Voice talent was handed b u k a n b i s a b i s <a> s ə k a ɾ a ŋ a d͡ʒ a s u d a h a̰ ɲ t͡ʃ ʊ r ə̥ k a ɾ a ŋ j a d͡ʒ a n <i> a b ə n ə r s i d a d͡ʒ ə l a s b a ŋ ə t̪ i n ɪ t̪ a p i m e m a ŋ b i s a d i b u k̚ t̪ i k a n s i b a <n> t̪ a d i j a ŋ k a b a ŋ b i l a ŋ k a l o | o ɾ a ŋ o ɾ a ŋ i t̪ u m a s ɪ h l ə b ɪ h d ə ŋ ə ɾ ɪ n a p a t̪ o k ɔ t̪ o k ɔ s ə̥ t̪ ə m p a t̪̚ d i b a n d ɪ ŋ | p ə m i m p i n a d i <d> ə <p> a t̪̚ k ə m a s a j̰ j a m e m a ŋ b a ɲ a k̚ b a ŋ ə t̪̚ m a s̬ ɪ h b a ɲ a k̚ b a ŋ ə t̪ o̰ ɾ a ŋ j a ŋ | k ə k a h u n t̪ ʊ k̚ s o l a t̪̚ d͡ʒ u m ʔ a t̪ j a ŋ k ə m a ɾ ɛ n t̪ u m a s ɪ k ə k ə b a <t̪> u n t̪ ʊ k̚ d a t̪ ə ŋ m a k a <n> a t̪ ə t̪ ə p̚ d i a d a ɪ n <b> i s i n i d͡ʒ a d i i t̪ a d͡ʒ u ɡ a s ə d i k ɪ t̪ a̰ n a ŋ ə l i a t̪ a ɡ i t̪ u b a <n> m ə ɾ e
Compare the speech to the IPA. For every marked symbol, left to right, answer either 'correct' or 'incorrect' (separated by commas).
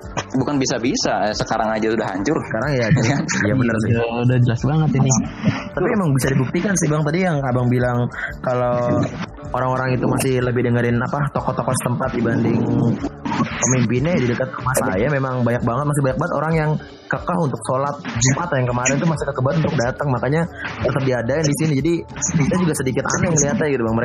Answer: correct, incorrect, incorrect, correct, incorrect, correct, incorrect, incorrect, incorrect